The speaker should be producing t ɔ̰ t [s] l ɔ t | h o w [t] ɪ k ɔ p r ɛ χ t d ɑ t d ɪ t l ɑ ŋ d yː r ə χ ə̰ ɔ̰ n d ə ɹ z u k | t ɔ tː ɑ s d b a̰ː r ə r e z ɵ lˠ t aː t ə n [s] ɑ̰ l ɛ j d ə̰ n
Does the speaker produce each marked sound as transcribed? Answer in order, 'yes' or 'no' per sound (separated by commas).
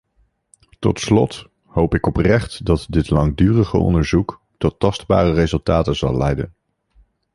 yes, no, no